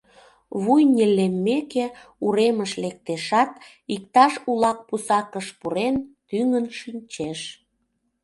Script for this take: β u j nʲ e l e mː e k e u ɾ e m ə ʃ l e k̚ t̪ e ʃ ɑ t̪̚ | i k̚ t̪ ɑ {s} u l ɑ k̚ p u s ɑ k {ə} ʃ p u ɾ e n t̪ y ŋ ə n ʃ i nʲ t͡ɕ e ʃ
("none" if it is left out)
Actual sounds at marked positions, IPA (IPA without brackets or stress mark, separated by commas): ʃ, ə